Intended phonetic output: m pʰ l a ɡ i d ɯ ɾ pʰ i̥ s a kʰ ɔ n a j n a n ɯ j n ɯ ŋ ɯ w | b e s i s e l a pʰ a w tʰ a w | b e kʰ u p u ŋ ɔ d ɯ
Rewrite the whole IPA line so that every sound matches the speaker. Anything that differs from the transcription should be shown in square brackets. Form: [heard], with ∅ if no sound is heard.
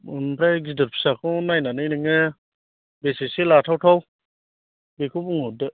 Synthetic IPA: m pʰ [ɾ] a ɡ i d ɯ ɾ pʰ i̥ s a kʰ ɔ n a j n a n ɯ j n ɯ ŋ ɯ [∅] | b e s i s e l a [tʰ] a w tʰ a w | b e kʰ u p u ŋ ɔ d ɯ